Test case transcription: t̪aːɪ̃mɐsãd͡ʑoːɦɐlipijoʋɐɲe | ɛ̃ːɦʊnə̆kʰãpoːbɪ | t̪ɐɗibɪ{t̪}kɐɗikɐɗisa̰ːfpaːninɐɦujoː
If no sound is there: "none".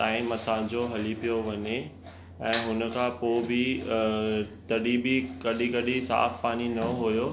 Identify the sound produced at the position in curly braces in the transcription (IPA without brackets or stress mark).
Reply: none